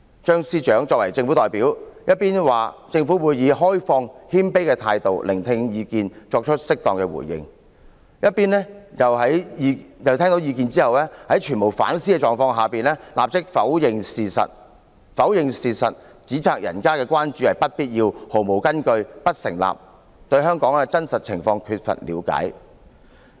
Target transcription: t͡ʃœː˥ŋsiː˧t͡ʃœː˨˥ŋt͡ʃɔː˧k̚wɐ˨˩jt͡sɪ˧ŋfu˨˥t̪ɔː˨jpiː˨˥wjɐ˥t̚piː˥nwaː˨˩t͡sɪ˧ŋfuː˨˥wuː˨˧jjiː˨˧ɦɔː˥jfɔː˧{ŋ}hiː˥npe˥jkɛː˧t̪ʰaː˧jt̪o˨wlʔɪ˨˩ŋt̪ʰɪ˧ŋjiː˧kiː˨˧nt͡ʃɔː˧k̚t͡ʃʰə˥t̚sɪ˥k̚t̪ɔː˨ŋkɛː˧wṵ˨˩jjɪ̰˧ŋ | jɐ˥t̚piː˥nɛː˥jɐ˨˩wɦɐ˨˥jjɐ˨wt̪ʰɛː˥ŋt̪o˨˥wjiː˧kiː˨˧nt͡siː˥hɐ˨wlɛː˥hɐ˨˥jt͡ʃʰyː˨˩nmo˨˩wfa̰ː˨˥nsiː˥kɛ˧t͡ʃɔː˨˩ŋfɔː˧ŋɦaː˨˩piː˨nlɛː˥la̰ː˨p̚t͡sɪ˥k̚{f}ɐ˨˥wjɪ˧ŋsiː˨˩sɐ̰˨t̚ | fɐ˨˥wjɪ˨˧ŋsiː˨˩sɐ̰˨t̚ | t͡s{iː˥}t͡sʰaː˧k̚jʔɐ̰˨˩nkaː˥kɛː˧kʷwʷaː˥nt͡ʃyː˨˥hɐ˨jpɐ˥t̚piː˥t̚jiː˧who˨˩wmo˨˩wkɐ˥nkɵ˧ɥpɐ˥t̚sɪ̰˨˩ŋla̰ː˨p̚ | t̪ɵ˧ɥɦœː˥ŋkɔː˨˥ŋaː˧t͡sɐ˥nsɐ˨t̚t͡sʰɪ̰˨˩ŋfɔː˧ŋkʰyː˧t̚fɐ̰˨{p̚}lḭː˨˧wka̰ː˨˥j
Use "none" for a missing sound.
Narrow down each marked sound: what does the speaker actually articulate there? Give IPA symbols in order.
ŋ, f, iː˨˥, t̚

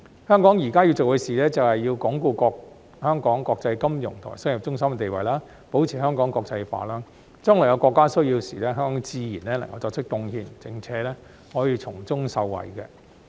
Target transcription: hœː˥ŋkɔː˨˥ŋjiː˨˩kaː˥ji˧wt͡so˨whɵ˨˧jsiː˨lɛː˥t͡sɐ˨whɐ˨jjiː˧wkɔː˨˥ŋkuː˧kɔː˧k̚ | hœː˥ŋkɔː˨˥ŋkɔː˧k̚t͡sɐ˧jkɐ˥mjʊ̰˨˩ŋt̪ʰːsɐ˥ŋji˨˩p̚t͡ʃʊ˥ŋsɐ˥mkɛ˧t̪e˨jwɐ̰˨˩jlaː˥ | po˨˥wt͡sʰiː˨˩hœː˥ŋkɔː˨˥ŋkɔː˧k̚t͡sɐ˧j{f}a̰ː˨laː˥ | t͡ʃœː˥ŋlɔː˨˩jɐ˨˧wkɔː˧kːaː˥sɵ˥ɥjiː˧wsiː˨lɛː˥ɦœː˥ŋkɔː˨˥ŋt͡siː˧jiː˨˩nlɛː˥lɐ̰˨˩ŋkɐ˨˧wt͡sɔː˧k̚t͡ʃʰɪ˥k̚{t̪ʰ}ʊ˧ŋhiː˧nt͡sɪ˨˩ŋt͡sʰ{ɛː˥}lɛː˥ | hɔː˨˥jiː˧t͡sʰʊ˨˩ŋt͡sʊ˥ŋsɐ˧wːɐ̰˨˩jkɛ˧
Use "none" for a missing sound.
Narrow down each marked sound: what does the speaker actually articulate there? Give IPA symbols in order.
f, t̪, ɛː˨˥

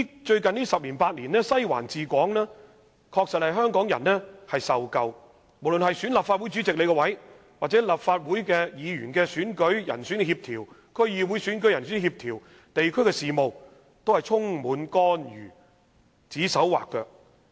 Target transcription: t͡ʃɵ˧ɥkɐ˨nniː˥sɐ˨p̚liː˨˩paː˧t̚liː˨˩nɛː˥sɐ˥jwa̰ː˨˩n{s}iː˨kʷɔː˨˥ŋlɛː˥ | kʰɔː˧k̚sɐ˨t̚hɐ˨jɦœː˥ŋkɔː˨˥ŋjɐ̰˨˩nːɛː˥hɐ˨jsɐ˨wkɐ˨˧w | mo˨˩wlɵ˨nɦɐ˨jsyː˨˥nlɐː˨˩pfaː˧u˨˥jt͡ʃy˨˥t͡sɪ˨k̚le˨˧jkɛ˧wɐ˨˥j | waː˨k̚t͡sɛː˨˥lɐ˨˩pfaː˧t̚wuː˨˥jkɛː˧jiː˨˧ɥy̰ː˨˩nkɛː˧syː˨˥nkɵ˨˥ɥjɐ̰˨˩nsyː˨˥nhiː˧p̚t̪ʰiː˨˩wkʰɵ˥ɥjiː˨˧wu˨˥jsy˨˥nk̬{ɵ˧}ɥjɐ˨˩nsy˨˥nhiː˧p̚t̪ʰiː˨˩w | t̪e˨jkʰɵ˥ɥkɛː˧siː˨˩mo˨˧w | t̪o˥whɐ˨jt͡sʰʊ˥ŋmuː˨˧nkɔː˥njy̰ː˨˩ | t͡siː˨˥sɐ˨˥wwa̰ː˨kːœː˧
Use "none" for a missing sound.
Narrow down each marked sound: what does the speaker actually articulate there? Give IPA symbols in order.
t͡s, ɵ˨˥

